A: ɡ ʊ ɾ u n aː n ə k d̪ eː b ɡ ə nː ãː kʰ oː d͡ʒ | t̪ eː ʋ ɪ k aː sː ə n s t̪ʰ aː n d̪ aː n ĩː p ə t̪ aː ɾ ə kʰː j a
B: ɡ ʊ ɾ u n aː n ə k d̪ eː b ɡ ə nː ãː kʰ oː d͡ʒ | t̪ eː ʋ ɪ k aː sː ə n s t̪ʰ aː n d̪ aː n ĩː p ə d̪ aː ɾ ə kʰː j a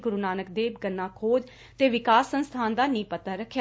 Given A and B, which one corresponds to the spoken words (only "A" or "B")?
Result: A